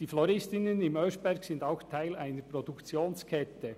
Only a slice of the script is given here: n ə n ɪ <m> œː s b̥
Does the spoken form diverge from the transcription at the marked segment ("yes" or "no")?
no